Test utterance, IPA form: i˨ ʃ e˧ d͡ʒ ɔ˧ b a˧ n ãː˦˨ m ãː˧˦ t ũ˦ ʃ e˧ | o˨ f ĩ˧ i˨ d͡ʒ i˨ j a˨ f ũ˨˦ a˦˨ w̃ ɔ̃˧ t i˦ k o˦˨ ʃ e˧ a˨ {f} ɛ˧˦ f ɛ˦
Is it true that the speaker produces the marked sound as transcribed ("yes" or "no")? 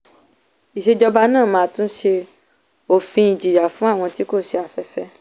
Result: yes